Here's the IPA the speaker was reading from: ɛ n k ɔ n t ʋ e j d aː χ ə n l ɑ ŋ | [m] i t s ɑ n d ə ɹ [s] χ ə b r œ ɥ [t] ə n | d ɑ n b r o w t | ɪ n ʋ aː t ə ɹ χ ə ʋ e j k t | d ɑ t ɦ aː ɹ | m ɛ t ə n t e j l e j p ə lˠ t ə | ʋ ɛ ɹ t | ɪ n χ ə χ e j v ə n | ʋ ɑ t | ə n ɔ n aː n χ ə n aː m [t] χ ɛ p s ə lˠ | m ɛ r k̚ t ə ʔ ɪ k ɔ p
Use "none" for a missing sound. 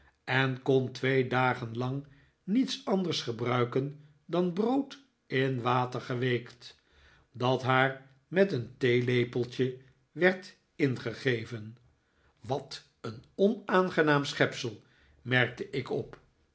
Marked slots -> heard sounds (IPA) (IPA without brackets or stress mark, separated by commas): n, s, k, s